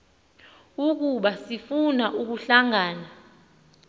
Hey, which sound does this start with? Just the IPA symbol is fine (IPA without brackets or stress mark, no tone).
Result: u